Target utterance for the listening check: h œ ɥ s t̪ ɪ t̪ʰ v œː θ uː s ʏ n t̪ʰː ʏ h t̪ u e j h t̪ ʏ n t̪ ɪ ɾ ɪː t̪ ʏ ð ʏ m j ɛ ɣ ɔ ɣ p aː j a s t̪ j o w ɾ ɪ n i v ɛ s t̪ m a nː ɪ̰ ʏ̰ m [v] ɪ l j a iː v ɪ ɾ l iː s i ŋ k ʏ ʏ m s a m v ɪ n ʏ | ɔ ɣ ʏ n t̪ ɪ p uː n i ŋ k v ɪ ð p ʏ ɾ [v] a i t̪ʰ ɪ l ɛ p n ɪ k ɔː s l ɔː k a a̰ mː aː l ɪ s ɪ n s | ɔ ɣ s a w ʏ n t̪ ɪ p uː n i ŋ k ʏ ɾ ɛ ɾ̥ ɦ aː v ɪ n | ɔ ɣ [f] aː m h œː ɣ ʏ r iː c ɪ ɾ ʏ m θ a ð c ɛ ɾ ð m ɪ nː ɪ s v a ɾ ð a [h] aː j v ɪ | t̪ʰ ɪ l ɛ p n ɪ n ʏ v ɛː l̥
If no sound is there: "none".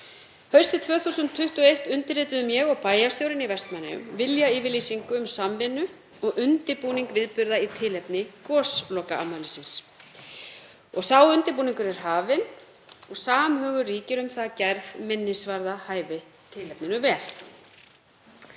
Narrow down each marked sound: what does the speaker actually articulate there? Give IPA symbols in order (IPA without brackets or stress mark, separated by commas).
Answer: v, ð, s, h